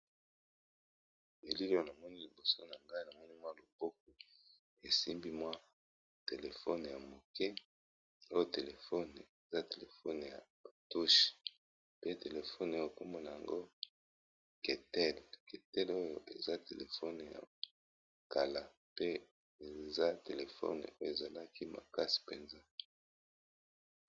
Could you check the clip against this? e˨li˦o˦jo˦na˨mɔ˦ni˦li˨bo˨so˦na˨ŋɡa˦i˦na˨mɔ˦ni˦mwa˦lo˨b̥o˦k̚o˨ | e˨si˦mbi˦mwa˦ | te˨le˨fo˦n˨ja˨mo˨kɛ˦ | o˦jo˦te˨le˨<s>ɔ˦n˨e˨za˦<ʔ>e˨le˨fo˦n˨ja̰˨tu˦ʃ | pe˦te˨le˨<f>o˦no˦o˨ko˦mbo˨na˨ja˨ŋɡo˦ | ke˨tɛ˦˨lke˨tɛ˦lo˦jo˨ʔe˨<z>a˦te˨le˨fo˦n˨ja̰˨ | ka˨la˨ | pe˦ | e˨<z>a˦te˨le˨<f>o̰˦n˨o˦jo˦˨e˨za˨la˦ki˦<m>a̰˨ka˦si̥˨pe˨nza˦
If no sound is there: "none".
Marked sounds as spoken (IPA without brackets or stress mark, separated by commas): f, t, f, z, z, f, m